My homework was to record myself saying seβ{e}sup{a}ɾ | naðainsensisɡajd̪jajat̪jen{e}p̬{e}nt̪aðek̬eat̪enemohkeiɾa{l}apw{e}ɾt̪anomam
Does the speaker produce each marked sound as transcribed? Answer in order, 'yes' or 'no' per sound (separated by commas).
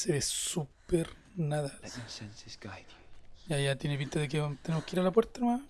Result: yes, no, yes, no, yes, yes